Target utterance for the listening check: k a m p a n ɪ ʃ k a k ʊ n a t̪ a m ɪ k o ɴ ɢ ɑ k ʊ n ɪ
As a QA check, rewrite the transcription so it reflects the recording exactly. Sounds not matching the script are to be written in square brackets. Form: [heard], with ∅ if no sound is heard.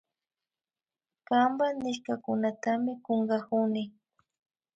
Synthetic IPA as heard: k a m [b] a n ɪ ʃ k a k ʊ n a t̪ a m ɪ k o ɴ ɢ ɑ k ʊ n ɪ